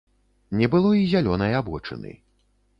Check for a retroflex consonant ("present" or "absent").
present